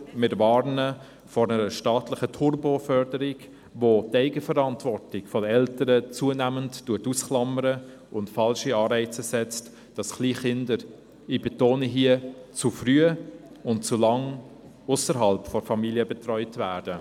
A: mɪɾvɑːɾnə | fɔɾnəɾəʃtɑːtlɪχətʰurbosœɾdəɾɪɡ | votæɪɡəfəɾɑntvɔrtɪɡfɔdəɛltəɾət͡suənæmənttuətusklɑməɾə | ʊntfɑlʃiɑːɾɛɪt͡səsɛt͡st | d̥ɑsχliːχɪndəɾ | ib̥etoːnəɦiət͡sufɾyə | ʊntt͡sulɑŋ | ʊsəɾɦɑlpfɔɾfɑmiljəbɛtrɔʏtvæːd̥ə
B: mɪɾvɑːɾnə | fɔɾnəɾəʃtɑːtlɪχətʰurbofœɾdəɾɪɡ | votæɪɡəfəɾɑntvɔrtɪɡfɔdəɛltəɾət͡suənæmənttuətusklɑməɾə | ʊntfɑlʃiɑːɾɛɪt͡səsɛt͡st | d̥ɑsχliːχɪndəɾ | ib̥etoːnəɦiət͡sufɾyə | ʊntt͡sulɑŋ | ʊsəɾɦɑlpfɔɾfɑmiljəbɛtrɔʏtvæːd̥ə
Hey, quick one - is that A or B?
B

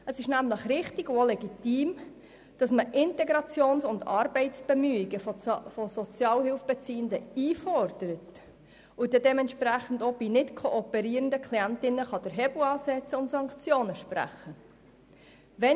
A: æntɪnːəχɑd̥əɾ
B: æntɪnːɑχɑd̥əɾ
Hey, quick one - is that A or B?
A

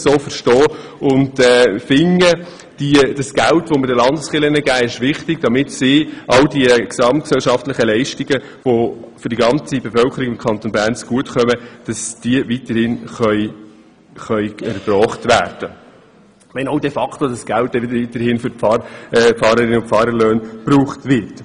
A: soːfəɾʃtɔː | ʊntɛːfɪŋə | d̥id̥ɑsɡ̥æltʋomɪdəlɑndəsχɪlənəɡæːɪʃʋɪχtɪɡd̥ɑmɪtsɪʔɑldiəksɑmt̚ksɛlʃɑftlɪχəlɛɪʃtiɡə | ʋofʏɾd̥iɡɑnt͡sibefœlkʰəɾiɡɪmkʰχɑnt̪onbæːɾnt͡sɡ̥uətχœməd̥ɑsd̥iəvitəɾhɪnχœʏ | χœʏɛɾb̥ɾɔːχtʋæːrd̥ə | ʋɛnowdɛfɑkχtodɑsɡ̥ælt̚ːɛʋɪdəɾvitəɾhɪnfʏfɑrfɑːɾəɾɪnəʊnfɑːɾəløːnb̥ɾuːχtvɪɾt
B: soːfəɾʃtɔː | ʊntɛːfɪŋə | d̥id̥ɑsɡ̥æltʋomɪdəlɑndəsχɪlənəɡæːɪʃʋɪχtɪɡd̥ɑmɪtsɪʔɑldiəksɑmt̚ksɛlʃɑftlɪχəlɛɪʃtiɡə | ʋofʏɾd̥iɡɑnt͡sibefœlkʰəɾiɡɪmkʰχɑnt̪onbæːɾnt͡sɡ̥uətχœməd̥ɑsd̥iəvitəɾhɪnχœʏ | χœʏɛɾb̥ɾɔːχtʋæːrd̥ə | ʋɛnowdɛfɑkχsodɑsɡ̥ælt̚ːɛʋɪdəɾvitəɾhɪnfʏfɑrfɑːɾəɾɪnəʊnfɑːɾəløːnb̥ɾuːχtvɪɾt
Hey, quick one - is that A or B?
A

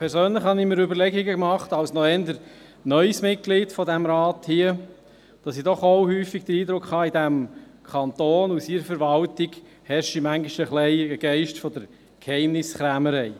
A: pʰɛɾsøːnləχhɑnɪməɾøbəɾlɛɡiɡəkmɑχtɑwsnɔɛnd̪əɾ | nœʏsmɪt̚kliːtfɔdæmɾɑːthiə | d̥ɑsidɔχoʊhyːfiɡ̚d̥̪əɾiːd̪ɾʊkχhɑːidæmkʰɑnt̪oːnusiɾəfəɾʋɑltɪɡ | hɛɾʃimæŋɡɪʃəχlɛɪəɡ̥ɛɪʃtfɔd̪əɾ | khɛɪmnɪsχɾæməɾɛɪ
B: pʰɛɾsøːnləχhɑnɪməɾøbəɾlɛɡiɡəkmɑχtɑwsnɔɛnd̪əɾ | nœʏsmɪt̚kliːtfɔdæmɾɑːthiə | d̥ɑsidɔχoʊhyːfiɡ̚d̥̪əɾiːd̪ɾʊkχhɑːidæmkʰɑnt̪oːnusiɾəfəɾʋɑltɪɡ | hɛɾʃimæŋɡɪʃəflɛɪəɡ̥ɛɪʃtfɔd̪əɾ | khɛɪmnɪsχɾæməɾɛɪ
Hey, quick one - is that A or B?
A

